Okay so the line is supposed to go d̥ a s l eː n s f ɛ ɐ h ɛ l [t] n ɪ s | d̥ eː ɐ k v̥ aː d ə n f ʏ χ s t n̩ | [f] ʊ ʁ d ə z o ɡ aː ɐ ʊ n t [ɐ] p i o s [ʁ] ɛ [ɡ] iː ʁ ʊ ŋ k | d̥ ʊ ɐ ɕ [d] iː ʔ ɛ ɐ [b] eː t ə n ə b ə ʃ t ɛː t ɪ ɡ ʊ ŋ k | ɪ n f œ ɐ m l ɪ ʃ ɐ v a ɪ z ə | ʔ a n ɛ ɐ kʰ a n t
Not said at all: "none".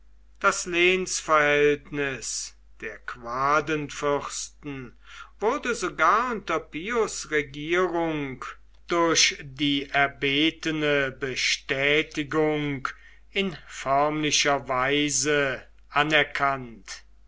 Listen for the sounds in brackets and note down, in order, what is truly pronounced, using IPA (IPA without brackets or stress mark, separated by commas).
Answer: t, v, ɐ, ʁ, ɡ, d, b